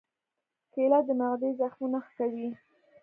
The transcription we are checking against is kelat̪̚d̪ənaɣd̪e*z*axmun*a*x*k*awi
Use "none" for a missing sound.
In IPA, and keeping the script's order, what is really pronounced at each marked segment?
z, a, k

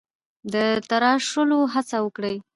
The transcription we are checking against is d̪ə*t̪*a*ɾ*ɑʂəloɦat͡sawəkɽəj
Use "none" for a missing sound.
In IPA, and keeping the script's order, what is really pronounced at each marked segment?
t̪, ɾ

